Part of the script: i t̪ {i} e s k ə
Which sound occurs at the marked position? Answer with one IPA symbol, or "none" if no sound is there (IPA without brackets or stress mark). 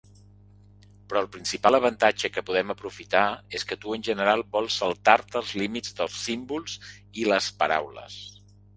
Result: a